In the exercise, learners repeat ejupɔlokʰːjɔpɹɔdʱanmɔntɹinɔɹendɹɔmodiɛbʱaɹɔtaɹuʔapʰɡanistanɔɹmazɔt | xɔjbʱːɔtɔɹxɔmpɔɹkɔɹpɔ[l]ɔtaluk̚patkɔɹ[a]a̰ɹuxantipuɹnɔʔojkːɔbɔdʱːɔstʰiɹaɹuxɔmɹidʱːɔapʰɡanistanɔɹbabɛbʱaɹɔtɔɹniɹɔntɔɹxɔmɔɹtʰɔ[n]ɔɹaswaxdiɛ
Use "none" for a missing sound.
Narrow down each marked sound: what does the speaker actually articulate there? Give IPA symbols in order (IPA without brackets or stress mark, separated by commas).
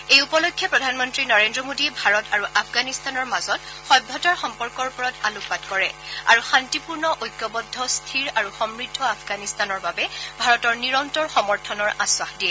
ɹ, ɛ, n